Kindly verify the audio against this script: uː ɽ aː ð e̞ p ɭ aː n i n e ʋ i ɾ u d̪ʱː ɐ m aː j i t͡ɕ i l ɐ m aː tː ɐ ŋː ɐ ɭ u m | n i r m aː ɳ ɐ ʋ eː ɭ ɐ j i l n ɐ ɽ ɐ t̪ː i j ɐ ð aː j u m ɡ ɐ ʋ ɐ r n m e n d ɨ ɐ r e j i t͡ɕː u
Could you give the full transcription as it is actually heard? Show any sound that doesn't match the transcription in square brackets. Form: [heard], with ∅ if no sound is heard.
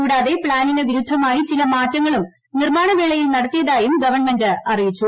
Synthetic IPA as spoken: uː ɽ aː ð e̞ p ɭ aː n i n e ʋ i ɾ u d̪ʱː ɐ m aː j i t͡ɕ i l ɐ m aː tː ɐ ŋː ɐ ɭ u m | n i r m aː ɳ ɐ ʋ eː ɭ ɐ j i l n ɐ ɽ ɐ t̪ː i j ɐ ð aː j u m ɡ ɐ ʋ ɐ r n m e n d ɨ ɐ r [i] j i t͡ɕː u

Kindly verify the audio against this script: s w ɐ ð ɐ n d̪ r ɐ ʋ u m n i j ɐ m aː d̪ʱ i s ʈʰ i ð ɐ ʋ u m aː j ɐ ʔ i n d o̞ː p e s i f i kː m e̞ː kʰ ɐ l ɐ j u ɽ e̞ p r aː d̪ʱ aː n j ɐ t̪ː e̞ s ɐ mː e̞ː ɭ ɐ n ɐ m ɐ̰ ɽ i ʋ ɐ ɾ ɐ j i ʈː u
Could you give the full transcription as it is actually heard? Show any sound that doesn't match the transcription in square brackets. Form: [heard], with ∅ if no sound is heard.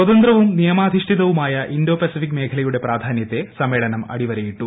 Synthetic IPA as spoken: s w ɐ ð ɐ n d̪ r ɐ ʋ u m n i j ɐ m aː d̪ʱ i [ʂ] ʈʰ i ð ɐ ʋ u m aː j ɐ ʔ i n d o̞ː p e s i f i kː m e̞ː kʰ ɐ l ɐ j u ɽ e̞ p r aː d̪ʱ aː n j ɐ t̪ː e̞ s ɐ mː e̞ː ɭ ɐ n ɐ m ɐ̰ ɽ i ʋ ɐ ɾ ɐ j i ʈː u

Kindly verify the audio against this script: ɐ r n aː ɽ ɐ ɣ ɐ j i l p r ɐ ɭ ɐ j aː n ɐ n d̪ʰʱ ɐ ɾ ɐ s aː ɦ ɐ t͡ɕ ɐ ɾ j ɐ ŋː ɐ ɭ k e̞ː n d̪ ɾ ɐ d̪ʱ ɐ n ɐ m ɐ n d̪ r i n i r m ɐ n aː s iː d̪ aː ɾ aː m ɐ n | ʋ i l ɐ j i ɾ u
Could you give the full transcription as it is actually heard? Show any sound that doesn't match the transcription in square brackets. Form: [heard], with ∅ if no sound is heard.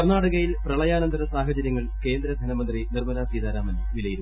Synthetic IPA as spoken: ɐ r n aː ɽ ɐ ɣ ɐ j i l p r ɐ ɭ ɐ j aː n ɐ n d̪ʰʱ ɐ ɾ ɐ s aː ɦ ɐ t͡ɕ ɐ ɾ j ɐ ŋː ɐ ɭ k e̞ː n d̪ ɾ ɐ d̪ʱ ɐ n ɐ m ɐ n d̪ r i n i r m ɐ n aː s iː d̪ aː ɾ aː m ɐ n | ʋ i l ɐ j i ɾ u

